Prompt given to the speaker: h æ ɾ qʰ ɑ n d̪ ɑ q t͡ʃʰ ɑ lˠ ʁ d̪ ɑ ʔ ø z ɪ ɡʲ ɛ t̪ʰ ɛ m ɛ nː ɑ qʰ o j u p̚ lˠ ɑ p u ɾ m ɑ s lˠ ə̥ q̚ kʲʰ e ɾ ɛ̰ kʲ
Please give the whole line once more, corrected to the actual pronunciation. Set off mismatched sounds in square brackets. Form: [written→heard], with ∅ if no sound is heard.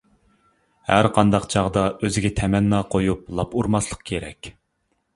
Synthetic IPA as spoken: h æ ɾ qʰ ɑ n d̪ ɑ q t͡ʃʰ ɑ [lˠ→∅] ʁ d̪ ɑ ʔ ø z ɪ ɡʲ ɛ t̪ʰ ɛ m ɛ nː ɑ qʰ o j u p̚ lˠ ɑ p u ɾ m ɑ s lˠ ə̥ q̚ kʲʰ e ɾ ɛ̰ kʲ